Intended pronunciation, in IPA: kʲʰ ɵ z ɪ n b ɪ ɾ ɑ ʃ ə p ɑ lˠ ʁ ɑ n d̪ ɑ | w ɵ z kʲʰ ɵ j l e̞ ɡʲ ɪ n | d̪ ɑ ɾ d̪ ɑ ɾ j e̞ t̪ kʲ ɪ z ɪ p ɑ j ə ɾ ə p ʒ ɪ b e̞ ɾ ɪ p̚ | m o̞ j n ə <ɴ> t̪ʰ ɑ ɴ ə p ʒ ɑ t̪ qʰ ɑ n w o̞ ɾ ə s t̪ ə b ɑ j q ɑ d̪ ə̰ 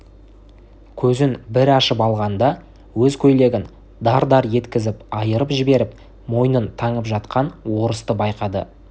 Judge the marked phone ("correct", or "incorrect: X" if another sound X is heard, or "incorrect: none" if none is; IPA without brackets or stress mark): incorrect: n